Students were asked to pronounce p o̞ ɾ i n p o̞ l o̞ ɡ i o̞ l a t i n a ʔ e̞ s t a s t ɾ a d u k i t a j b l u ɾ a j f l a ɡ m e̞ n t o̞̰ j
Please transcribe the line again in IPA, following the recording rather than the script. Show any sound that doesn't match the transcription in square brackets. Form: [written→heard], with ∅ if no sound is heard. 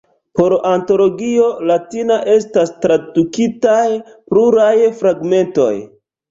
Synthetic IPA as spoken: p o̞ ɾ [i→a] n [p→t] o̞ l o̞ ɡ i o̞ l a t i n a ʔ e̞ s t a s t ɾ a d u k i t a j [b→p] l u ɾ a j f [l→ɾ] a ɡ m e̞ n t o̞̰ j